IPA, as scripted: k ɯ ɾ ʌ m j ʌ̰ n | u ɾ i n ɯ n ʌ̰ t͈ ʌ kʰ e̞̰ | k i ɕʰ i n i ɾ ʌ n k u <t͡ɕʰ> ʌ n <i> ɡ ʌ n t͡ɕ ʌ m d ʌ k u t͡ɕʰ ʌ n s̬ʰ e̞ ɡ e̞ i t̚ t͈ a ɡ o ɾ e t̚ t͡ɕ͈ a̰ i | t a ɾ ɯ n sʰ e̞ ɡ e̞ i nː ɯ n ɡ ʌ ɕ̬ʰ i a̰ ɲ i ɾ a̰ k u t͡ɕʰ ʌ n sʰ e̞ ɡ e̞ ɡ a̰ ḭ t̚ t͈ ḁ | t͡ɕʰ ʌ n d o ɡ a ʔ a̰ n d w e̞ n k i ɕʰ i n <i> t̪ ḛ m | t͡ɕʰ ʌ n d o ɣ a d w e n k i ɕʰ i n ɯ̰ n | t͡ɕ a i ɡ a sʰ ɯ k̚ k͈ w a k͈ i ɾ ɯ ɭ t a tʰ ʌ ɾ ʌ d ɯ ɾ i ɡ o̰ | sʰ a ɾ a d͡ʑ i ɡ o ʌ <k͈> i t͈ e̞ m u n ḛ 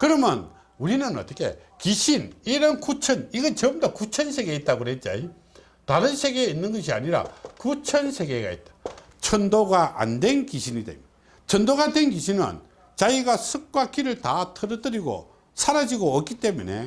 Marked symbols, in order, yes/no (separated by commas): yes, yes, yes, yes